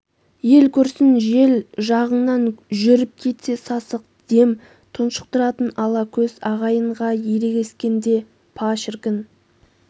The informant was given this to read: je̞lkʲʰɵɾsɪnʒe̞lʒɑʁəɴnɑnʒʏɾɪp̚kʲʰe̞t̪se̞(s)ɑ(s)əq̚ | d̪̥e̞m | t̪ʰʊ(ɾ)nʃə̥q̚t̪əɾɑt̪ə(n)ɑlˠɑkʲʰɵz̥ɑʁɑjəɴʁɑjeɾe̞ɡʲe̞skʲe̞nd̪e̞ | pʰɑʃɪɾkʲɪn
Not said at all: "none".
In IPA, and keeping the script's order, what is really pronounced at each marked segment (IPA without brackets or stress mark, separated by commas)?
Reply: s, s, none, n